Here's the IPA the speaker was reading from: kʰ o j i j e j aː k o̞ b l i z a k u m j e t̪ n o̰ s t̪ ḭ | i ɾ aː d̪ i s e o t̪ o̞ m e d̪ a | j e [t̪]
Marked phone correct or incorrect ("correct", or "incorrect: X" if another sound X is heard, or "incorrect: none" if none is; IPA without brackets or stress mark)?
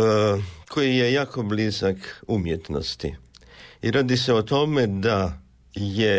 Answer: incorrect: none